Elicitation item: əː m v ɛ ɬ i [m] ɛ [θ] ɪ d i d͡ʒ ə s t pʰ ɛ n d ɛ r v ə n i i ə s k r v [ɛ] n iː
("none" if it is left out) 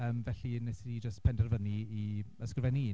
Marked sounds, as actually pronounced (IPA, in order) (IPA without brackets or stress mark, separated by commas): n, s, ɛ